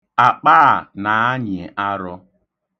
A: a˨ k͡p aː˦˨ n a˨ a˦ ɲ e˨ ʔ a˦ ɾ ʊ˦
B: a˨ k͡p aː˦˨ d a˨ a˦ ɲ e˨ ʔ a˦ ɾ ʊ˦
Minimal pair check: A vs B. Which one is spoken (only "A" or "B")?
A